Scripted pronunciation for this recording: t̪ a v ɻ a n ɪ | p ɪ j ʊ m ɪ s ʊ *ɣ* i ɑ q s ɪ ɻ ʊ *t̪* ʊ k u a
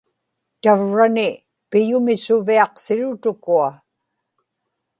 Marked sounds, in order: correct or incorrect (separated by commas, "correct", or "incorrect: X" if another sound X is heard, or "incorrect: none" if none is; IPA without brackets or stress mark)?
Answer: incorrect: v, correct